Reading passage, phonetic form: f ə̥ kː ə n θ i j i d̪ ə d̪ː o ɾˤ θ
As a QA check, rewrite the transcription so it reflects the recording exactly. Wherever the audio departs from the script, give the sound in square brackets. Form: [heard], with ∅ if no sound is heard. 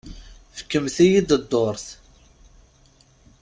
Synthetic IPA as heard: f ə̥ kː ə [m] θ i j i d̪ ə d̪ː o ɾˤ θ